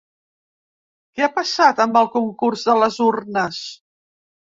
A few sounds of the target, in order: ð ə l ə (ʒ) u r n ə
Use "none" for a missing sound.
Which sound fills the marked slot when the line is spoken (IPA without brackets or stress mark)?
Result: z